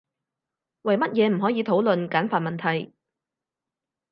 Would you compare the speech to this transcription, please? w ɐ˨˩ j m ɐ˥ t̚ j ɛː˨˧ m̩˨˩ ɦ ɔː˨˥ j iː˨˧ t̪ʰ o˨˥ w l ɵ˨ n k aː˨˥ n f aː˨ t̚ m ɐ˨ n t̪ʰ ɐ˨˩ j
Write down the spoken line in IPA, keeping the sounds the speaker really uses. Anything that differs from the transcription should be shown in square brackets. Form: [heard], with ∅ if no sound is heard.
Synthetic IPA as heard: w ɐ˨˩ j m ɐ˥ t̚ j ɛː˨˧ m̩˨˩ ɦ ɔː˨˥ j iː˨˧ t̪ʰ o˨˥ w l ɵ˨ n k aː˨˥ n f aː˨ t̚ m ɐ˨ n t̪ʰ ɐ˨˩ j